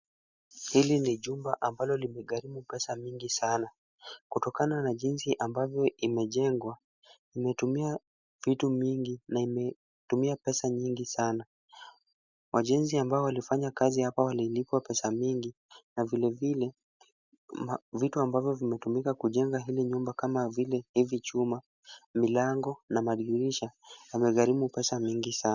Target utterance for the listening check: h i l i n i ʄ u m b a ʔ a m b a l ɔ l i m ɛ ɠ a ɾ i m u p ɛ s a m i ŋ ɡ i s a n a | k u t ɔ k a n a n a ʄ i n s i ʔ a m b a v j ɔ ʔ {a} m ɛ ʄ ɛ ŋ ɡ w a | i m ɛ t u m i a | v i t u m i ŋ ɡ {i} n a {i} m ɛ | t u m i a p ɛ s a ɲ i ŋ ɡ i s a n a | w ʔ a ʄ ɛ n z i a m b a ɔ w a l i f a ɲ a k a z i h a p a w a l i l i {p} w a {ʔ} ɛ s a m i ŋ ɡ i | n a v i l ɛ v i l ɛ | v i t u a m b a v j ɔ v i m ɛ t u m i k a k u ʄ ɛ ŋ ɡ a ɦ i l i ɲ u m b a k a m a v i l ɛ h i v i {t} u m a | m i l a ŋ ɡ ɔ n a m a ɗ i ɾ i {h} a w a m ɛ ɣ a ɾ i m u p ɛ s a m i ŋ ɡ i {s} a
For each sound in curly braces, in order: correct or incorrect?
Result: incorrect: i, correct, correct, correct, incorrect: p, incorrect: t͡ʃ, incorrect: ʃ, correct

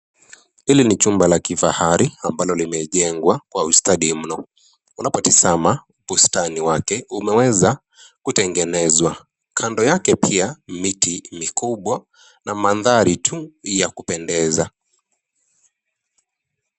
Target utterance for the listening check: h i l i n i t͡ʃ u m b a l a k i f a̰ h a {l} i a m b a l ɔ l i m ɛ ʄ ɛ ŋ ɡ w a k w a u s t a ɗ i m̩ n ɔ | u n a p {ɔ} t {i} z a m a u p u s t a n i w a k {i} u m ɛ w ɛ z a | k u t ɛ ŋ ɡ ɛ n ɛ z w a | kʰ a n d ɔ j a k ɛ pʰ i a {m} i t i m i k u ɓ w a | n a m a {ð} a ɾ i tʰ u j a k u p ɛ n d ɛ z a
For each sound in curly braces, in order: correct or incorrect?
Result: incorrect: ɾ, correct, correct, incorrect: ɛ, correct, correct

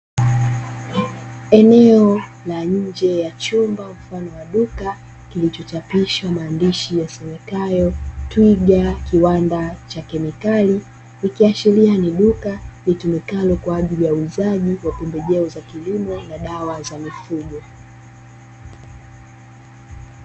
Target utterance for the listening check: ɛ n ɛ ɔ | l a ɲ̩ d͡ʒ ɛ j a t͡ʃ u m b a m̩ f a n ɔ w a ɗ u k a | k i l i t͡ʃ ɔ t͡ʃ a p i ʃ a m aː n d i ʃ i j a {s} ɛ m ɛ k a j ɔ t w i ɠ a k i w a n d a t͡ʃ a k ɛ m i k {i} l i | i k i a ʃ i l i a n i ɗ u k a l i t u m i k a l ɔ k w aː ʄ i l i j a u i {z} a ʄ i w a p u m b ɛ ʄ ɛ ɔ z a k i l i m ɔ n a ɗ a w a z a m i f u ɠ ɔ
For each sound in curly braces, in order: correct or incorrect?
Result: correct, incorrect: a, correct

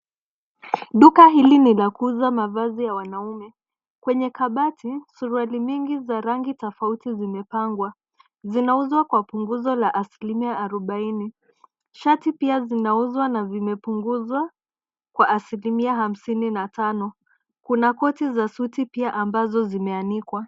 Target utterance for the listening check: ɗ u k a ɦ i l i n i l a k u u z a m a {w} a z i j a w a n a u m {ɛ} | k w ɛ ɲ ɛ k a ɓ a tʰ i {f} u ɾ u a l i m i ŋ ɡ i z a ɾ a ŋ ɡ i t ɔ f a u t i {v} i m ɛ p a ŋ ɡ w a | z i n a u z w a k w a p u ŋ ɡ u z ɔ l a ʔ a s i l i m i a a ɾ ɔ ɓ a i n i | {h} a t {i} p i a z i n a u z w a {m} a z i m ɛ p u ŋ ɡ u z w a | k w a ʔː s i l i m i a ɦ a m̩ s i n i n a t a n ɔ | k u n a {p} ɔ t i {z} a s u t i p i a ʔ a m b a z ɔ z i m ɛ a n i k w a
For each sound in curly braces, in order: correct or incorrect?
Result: incorrect: v, correct, incorrect: s, incorrect: z, incorrect: ʃ, correct, incorrect: n, incorrect: k, correct

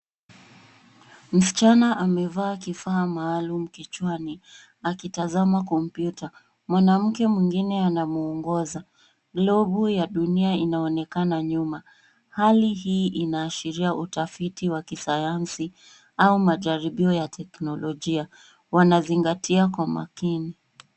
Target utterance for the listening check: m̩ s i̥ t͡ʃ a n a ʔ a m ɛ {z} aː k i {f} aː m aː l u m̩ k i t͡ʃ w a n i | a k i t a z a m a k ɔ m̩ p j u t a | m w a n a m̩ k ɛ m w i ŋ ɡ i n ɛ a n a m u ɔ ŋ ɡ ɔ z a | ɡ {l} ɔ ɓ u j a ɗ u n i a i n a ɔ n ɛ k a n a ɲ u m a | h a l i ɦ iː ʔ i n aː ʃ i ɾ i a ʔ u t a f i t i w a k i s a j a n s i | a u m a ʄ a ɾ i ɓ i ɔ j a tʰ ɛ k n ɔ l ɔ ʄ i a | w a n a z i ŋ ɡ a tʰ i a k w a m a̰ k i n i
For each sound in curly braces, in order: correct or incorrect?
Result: incorrect: v, correct, correct

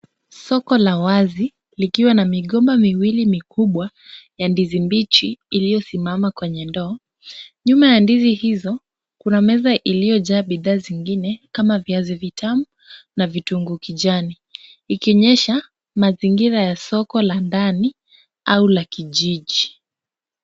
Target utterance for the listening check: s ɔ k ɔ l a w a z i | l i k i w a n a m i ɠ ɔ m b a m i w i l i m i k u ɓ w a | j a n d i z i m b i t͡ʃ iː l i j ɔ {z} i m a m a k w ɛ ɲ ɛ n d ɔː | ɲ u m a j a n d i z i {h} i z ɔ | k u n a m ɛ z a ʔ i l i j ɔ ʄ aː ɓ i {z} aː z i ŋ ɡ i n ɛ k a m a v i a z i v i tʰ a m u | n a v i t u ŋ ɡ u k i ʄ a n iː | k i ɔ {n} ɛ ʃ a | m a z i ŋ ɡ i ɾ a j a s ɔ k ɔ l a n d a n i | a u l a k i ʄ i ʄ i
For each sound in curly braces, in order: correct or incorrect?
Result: incorrect: s, correct, incorrect: ð, incorrect: ɲ

